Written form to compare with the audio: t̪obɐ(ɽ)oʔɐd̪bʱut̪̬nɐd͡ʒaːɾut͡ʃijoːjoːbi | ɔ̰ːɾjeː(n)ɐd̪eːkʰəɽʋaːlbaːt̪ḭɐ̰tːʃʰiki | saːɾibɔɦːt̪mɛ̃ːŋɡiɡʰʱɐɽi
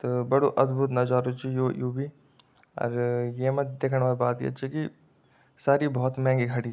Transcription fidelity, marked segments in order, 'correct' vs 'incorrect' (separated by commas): correct, incorrect